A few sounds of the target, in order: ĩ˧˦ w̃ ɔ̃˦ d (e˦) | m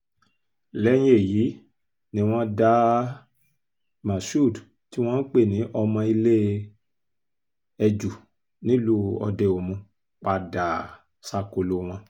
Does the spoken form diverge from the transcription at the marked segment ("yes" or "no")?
yes